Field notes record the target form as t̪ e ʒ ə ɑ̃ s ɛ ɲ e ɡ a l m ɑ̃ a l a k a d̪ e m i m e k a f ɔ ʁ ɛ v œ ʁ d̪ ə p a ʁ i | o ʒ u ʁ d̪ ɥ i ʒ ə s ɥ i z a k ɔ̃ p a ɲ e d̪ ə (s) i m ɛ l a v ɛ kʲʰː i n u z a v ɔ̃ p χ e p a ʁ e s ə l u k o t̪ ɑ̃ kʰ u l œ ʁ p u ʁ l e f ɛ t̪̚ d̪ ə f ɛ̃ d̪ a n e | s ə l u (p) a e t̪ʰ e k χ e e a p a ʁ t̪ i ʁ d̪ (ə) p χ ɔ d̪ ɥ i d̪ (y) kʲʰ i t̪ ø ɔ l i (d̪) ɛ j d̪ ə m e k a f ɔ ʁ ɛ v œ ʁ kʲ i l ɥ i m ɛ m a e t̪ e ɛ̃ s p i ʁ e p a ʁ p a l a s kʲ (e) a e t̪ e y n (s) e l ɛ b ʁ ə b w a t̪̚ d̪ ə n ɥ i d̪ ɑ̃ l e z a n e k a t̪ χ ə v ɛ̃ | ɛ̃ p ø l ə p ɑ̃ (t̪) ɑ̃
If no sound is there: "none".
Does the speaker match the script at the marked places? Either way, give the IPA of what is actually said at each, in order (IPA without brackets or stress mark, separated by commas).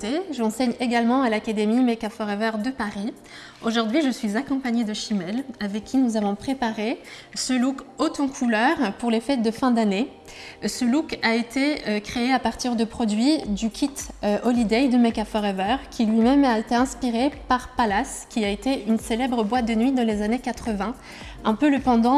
ʃ, k, ə, y, d̪, i, s, d̪